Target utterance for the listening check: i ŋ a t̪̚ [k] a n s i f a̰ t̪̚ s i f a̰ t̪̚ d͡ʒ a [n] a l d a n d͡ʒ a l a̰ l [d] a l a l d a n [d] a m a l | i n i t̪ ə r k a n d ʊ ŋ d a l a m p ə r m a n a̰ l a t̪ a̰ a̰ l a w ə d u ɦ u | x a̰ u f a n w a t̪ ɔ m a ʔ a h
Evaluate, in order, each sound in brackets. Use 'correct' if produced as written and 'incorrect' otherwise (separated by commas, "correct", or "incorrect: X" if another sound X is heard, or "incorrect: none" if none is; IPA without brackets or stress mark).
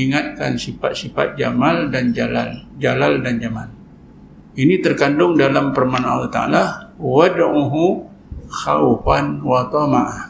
correct, incorrect: m, incorrect: d͡ʒ, incorrect: d͡ʒ